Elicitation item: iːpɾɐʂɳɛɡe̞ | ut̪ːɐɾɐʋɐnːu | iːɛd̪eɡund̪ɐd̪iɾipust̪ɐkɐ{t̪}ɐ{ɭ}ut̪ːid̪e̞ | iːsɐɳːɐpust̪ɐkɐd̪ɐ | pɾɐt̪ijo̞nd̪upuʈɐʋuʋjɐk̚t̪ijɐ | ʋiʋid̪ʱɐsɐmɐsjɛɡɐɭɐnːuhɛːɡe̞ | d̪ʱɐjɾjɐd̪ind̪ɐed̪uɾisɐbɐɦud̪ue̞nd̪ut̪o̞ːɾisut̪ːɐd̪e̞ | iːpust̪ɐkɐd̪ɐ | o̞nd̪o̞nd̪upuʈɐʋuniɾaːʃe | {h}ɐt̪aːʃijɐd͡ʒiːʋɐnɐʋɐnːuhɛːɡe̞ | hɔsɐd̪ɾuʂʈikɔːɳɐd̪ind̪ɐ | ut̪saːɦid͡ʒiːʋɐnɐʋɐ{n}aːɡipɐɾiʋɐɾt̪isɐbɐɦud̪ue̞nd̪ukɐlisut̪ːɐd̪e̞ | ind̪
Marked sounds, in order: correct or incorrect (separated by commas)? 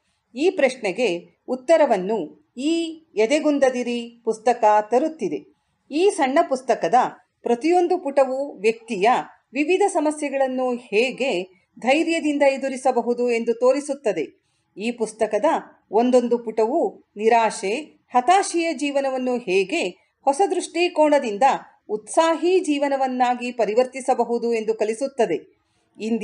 correct, incorrect, correct, incorrect